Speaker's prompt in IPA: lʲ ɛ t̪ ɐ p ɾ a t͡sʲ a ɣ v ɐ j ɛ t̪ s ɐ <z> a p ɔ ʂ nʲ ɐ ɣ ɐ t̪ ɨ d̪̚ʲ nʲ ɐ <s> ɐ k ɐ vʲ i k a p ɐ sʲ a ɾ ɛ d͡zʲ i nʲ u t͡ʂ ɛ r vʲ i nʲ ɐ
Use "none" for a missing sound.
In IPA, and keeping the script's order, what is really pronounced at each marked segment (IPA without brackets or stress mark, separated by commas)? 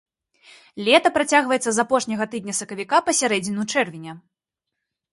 z, s